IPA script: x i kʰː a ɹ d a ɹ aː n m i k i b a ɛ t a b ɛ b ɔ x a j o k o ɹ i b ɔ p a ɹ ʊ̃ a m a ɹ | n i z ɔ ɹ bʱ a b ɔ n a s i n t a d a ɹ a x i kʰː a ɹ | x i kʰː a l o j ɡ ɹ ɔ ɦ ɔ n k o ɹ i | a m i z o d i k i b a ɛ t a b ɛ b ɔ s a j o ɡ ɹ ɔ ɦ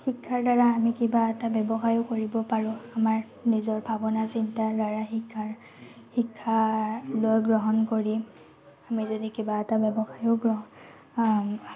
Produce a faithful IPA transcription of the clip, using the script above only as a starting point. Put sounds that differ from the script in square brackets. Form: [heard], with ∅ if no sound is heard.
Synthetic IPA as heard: x i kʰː a ɹ d a ɹ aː [∅] m i k i b a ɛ t a b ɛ b ɔ x a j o k o ɹ i b ɔ p a ɹ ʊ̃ a m a ɹ | n i z ɔ ɹ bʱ a b ɔ n a s i n t a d a ɹ a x i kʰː a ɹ | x i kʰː a l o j ɡ ɹ ɔ ɦ ɔ n k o ɹ i | a m i z o d i k i b a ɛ t a b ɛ b ɔ [x] a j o ɡ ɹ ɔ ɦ